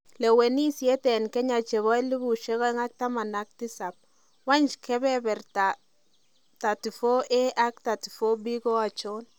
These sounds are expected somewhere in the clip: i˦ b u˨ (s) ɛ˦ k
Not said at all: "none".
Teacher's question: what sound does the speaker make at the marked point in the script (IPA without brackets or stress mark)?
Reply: ʃ